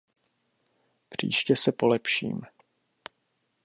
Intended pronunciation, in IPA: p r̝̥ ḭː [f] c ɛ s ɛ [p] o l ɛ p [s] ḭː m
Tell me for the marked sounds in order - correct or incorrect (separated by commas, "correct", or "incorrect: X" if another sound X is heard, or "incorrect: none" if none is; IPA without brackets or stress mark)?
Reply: incorrect: ʃ, correct, incorrect: ʃ